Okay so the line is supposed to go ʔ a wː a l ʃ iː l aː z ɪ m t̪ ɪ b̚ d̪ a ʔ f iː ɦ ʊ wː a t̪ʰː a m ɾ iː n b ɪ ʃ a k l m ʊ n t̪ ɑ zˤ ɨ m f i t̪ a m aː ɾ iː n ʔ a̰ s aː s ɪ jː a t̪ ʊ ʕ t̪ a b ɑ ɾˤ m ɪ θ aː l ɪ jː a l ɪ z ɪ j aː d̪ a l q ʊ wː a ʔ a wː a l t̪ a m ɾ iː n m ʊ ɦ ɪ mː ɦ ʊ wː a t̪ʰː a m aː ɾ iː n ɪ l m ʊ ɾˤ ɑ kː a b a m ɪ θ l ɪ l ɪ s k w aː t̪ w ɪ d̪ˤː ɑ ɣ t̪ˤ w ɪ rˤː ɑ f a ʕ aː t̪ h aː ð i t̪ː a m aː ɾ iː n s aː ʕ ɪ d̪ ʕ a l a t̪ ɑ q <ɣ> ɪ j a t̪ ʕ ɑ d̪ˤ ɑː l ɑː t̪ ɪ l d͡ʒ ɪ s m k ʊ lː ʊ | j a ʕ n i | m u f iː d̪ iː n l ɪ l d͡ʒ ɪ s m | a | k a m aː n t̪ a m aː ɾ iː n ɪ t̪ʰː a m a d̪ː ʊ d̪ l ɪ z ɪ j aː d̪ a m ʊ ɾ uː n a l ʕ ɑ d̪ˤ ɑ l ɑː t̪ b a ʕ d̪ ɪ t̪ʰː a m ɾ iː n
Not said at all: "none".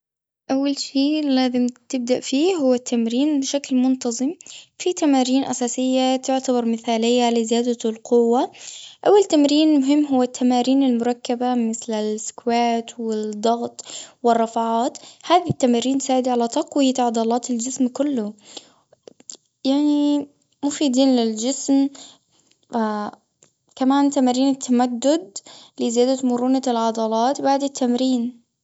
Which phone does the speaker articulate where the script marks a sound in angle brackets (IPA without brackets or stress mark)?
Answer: w